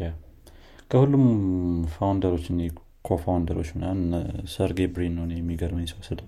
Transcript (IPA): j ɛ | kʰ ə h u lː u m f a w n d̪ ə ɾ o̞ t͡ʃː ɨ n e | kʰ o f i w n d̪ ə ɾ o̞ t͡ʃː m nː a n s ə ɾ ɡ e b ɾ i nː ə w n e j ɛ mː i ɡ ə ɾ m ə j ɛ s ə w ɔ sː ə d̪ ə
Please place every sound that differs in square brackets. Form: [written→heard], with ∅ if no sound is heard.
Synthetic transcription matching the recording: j [ɛ→a] | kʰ ə h u lː u m f a w n d̪ ə ɾ o̞ t͡ʃː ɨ n e | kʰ o f [i→a] w n d̪ ə ɾ o̞ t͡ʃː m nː a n s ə ɾ ɡ e b ɾ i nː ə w n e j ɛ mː i ɡ ə ɾ m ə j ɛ s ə w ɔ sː ə d̪ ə